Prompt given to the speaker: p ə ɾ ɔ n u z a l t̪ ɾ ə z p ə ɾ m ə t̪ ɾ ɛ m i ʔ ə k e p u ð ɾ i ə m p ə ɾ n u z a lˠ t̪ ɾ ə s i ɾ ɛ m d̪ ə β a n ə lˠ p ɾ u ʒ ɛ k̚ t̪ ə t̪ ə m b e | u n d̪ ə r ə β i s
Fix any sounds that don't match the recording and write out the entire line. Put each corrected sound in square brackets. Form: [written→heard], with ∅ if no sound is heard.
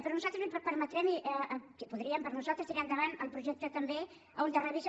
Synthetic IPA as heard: p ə ɾ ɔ n u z a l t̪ ɾ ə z p ə ɾ m ə t̪ ɾ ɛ m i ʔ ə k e p u ð ɾ i ə m p ə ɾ n u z a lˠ t̪ ɾ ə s i ɾ ɛ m d̪ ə β a n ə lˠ p ɾ u ʒ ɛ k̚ t̪ ə t̪ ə m b e | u n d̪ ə r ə β i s

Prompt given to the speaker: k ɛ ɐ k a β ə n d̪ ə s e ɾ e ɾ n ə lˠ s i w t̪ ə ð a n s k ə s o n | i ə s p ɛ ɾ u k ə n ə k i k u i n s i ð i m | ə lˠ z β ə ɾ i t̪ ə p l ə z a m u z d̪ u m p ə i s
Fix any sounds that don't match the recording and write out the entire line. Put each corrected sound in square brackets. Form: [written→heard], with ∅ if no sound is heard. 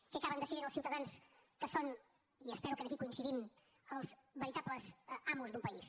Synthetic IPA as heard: k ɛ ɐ k a β ə n d̪ ə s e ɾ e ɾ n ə lˠ s i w t̪ ə ð a n s k ə s o n | i ə s p ɛ ɾ u k ə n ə k i k u i n s i ð i m | ə lˠ z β ə ɾ i t̪ [ə→a] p l ə z a m u z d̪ u m p ə i s

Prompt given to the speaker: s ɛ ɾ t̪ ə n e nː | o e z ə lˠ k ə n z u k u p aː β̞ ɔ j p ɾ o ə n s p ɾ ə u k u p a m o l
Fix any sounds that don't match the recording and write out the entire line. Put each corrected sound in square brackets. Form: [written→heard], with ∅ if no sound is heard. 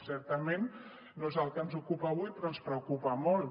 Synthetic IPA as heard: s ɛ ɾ t̪ ə [n→m] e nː | o e z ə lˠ k ə n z u k u p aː β̞ [ɔ→u] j p ɾ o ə n s p ɾ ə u k u p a m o l

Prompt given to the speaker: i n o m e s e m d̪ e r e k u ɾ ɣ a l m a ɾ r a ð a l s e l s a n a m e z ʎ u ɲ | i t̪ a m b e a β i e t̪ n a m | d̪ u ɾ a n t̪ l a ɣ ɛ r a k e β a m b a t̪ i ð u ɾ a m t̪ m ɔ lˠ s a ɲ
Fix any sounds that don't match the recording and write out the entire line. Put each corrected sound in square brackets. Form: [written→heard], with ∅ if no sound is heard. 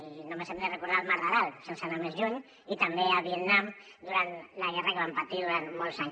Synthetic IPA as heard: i n o m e s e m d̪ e r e k u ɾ [ɣ→ð] a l m a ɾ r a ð a l s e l s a n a m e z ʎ u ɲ | i t̪ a m b e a β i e t̪ n a m | d̪ u ɾ a n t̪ l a ɣ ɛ r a k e β a m [b→p] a t̪ i ð u ɾ a [m→n] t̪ m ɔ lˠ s a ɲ

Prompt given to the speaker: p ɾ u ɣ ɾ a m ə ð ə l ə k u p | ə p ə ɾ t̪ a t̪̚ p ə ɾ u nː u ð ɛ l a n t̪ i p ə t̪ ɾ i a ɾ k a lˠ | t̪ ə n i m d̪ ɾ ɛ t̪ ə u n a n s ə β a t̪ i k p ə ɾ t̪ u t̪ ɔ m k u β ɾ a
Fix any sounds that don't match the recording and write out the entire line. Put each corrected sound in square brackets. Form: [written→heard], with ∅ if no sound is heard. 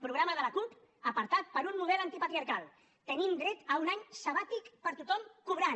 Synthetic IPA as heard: p ɾ u ɣ ɾ a m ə ð ə l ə k u p | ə p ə ɾ t̪ a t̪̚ p ə ɾ u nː u ð ɛ l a n t̪ i p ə t̪ ɾ i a ɾ k a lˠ | t̪ ə n i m d̪ ɾ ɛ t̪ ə u n a [n→ɲ] s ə β a t̪ i k p ə ɾ t̪ u t̪ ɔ m k u β ɾ a

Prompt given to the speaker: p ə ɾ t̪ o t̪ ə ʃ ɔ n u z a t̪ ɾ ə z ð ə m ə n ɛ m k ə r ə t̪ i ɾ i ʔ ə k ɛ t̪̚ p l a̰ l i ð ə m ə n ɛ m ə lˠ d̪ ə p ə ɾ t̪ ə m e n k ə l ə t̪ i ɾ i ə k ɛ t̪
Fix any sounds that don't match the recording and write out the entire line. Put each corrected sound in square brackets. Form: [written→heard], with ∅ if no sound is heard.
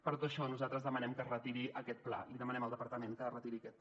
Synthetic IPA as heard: p ə ɾ t̪ o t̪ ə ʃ ɔ n u z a t̪ ɾ ə z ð ə m ə n ɛ m k ə r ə t̪ i ɾ i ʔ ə k ɛ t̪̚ p l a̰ l i ð ə m ə n ɛ m ə lˠ d̪ ə p ə ɾ t̪ ə m e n k ə [l→r] ə t̪ i ɾ i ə k ɛ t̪

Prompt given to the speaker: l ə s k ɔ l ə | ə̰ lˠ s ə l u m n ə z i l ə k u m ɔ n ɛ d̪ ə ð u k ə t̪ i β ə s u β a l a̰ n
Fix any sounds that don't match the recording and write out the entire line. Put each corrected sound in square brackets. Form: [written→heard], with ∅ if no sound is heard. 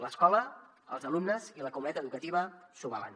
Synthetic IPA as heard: l ə s k ɔ l ə | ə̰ lˠ [s→z] ə l u m n ə z i l ə k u m [ɔ→u] n ɛ [d̪→t̪] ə ð u k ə t̪ i β ə s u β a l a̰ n

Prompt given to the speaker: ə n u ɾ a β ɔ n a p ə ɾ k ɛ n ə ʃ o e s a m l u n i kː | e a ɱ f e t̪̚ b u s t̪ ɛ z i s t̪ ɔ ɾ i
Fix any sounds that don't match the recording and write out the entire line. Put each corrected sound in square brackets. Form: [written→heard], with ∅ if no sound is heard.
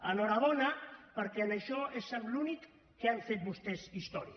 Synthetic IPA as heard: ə n [u→ɔ] ɾ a β ɔ n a p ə ɾ k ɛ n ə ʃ [o→ɔ] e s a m l u n i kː | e a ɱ f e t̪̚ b u s t̪ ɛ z i s t̪ ɔ ɾ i

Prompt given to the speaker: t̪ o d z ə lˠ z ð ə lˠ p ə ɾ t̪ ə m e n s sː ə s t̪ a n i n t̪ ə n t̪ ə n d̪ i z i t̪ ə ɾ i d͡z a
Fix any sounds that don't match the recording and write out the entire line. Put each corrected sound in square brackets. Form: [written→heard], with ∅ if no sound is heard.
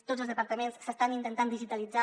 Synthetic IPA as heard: t̪ o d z ə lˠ z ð ə [lˠ→∅] p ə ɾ t̪ ə m e n s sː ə s t̪ a n i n t̪ ə n t̪ [ə→a] n d̪ i [z→ʒ] i t̪ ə [ɾ→l] i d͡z a

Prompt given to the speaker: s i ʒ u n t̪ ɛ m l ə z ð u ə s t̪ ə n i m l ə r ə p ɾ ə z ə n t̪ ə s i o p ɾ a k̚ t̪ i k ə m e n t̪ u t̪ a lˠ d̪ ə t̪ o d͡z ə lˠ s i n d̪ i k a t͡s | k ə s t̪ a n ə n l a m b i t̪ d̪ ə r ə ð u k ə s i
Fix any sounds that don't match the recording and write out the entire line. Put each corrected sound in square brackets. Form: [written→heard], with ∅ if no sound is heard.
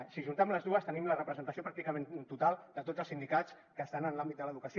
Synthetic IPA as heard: s i ʒ u n t̪ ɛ m l ə z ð u ə s t̪ ə n i m l ə r ə p ɾ ə z ə n t̪ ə s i o p ɾ a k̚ t̪ i k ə m e n t̪ u t̪ a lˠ d̪ ə t̪ o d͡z ə lˠ s i n d̪ i k a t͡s | k ə s t̪ a n ə n l a m b i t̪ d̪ ə [r→l] ə ð u k ə s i

